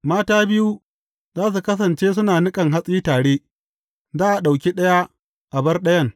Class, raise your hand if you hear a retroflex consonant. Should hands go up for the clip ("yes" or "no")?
yes